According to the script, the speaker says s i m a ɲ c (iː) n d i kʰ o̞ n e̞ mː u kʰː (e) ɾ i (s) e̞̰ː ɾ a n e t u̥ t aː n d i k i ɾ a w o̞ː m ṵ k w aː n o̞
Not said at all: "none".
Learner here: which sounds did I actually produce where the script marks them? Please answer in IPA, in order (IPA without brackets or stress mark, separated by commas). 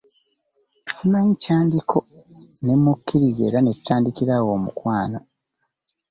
aː, i, z